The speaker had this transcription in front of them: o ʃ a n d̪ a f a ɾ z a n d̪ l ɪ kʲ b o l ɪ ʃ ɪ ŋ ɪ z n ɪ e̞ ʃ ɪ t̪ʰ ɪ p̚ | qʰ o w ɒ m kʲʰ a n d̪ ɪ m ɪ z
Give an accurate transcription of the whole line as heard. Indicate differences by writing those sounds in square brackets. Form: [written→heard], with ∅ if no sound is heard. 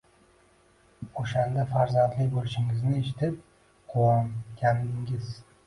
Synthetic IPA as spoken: o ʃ a n d̪ a f a ɾ z a n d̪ l ɪ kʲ b o l ɪ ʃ ɪ ŋ ɪ z n ɪ e̞ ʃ ɪ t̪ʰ ɪ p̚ | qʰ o w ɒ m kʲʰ a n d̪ ɪ [m→ŋ] ɪ z